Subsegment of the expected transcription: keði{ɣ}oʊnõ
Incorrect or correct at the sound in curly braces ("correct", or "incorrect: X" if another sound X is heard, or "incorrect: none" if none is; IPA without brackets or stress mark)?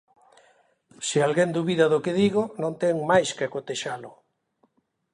correct